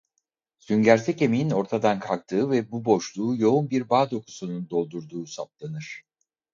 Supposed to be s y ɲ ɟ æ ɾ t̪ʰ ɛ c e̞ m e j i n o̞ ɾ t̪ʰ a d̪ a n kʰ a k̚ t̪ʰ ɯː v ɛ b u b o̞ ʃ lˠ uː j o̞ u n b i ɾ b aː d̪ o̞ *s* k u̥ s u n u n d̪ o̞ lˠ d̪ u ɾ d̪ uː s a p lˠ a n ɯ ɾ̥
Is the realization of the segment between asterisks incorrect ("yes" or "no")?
yes